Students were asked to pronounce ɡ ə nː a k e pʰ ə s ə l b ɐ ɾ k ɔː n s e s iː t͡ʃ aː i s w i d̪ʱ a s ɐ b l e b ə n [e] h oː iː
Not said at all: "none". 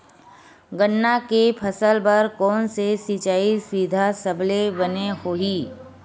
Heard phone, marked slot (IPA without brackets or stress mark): e